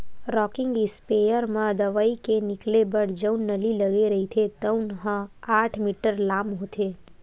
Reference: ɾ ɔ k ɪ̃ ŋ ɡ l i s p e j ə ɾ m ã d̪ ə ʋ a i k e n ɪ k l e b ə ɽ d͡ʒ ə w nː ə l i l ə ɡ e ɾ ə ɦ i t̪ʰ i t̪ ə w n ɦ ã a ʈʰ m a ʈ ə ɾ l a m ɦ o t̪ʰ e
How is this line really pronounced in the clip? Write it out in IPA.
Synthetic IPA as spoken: ɾ ɔ k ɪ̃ ŋ ɡ l i s p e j ə ɾ m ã d̪ ə ʋ a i k e n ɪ k l e b ə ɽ d͡ʒ ə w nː ə l i l ə ɡ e ɾ ə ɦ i t̪ʰ e t̪ ə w n ɦ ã a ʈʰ m i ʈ ə ɾ l a m ɦ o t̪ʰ e